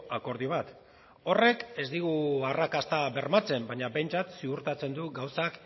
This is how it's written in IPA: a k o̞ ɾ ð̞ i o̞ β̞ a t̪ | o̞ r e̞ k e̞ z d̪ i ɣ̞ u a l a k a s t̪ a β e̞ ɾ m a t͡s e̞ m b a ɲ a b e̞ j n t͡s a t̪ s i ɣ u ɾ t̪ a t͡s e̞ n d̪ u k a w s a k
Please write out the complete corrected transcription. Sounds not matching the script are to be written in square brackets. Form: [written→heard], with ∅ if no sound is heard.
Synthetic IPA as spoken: a k o̞ ɾ ð̞ i o̞ β̞ a t̪ | o̞ r e̞ k e̞ z d̪ i ɣ̞ u a [l→r] a k a s t̪ a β e̞ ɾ m a t͡s e̞ m b a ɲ a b e̞ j n t͡s a t̪ s i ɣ u ɾ t̪ a t͡s e̞ n d̪ u [k→ɡ] a w s a k